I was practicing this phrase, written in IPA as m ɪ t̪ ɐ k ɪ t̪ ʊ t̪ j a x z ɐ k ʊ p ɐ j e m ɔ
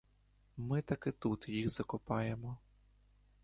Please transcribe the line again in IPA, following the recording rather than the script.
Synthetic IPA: m ɪ t̪ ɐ k ɪ t̪ u t̪ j i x z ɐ k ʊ p ɑ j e m ɔ

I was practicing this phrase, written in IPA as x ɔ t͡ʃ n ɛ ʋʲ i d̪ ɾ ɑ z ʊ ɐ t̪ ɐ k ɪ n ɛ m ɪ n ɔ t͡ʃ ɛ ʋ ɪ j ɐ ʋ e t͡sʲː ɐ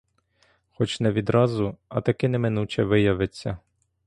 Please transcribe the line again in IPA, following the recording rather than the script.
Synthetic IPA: x ɔ t͡ʃ n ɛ ʋʲ i d̪ ɾ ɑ z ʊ ɐ t̪ ɐ k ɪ n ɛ m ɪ n u t͡ʃ ɛ ʋ ɪ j ɐ ʋ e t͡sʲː ɐ

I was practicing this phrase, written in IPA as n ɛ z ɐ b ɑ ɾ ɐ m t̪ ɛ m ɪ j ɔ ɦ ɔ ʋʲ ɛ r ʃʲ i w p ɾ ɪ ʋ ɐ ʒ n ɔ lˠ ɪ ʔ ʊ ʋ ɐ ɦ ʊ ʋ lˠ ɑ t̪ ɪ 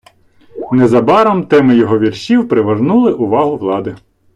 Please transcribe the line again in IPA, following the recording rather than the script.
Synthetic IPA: n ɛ z ɐ b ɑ ɾ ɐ m t̪ ɛ m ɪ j ɔ ɦ ɔ ʋʲ i r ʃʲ i w p ɾ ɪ ʋ ɐ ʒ n u lˠ ɪ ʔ ʊ ʋ ɑ ɦ ʊ ʋ lˠ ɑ d̪ ɪ

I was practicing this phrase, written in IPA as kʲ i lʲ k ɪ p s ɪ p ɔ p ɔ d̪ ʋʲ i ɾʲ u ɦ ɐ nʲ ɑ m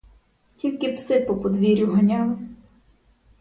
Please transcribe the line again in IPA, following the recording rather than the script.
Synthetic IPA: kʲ i lʲ k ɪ p s ɪ p ɔ p ɔ d̪ ʋʲ i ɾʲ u ɦ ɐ nʲ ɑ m

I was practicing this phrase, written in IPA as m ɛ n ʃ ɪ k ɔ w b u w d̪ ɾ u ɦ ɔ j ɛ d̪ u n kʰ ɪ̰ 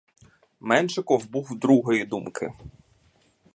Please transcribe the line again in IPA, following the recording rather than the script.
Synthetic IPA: m ɛ n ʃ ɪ k ɔ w b u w d̪ ɾ u ɦ ɔ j i d̪ u m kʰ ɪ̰

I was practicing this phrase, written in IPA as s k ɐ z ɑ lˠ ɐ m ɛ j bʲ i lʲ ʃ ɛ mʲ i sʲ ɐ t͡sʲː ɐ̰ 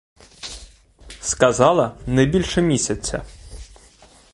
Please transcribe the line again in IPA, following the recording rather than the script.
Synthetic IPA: s k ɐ z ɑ lˠ ɐ n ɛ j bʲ i lʲ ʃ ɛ mʲ i sʲ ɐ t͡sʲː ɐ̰

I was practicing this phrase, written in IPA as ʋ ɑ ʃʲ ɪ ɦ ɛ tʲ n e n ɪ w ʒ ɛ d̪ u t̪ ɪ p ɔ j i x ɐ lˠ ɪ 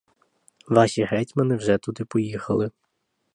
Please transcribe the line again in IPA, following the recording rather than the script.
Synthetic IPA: ʋ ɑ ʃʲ i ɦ ɛ tʲ m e n ɪ w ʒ ɛ t̪ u d̪ ɪ p ɔ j i x ɐ lˠ ɪ

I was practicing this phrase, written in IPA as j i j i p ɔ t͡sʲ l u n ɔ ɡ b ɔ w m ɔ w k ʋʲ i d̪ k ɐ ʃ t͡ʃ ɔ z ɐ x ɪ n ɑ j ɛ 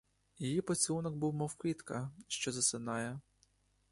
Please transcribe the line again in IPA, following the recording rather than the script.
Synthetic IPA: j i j i p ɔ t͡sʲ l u n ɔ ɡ b u w m ɔ w k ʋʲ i t̪ k ɐ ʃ t͡ʃ ɔ z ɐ s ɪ n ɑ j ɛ

